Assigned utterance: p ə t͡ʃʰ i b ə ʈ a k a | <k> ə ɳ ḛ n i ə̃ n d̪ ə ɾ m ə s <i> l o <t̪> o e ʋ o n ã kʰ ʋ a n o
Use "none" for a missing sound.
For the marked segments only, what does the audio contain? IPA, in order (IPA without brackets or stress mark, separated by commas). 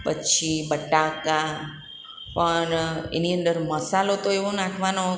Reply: p, a, t̪